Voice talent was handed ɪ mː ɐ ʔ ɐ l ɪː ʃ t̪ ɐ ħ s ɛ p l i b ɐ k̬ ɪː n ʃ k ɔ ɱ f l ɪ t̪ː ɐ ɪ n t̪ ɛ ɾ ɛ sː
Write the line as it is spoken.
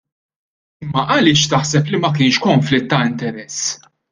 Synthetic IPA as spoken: ɪ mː ɐ ʔ ɐ l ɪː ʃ t̪ ɐ ħ s ɛ p l i m ɐ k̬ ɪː n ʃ k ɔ ɱ f l ɪ t̪ː ɐ ɪ n t̪ ɛ ɾ ɛ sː